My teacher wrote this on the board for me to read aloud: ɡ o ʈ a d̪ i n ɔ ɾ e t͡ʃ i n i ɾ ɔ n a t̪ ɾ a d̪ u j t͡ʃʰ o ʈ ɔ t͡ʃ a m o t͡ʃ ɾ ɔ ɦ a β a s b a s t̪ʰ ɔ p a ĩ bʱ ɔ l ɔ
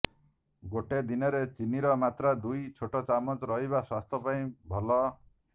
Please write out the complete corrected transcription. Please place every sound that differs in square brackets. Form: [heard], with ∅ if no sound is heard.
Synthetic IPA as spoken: ɡ o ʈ [e] d̪ i n ɔ ɾ e t͡ʃ i n i ɾ ɔ [m] a t̪ ɾ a d̪ u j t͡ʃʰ o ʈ ɔ t͡ʃ a m [ɔ] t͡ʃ ɾ ɔ ɦ [i] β a s [w] a s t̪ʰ ɔ p a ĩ bʱ ɔ l ɔ